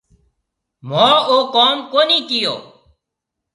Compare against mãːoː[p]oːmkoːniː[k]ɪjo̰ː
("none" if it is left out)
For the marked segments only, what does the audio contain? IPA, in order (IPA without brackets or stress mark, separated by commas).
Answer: k, k